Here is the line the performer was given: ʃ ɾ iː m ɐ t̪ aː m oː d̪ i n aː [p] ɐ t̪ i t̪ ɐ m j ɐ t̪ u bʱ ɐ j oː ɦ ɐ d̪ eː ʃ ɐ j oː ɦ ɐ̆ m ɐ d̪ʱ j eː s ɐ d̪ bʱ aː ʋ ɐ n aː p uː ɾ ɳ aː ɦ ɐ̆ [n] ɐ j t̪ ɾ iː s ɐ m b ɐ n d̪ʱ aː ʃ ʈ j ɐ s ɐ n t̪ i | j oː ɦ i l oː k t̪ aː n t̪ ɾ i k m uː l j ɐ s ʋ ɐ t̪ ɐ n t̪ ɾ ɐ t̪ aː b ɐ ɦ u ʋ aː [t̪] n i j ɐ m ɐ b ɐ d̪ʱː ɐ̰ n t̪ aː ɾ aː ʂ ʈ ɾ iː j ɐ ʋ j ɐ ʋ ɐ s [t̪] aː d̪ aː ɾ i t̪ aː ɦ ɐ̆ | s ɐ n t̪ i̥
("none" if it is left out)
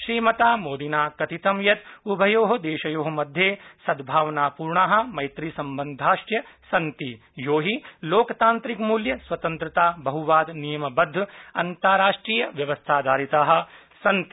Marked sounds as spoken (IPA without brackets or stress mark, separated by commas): k, m, d̪, t̪ʰ